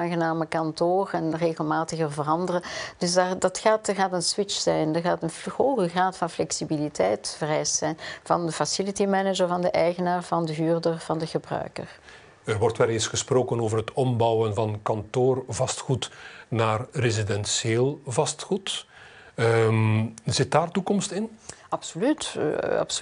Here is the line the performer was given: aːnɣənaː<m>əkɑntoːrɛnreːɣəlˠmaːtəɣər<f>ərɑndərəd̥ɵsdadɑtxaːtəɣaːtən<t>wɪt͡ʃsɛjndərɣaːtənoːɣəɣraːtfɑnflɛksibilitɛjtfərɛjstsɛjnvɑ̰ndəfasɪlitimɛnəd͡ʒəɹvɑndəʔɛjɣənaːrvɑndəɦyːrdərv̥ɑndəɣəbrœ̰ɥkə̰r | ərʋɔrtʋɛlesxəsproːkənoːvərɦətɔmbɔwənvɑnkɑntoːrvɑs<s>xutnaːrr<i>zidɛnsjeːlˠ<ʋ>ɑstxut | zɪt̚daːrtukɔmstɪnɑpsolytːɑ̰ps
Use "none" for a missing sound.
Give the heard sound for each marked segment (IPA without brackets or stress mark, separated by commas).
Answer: m, v, s, t, e, v